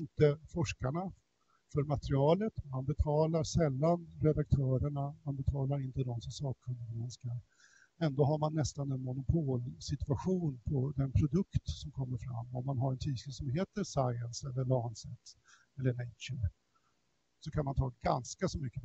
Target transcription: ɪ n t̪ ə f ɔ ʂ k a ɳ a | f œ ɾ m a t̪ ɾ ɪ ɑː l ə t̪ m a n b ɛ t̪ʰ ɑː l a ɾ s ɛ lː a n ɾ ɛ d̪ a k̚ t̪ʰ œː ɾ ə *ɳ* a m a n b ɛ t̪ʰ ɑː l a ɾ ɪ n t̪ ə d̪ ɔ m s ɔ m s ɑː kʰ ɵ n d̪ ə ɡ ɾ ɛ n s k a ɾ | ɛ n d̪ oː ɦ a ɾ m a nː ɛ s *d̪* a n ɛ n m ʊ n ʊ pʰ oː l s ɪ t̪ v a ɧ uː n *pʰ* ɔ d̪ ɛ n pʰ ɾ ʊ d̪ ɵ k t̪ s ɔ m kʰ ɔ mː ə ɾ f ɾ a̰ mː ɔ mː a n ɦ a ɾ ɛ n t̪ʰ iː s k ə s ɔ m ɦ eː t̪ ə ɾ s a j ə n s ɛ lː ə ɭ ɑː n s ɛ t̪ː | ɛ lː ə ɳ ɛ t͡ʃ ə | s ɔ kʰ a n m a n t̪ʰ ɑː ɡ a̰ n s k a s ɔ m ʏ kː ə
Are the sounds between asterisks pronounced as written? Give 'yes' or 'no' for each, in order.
yes, no, yes

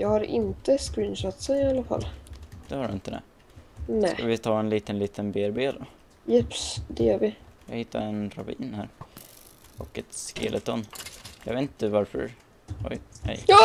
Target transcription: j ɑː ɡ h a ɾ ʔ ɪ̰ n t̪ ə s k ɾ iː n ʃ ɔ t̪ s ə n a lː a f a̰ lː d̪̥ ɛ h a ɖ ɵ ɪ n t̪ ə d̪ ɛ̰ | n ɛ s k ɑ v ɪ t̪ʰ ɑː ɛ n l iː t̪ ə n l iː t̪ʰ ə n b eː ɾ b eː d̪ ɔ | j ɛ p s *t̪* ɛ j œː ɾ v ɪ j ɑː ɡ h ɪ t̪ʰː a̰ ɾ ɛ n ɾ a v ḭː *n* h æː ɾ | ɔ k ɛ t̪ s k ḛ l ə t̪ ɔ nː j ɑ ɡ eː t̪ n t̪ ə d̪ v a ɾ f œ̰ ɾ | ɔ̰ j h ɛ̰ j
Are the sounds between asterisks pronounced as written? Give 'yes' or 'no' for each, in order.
no, yes

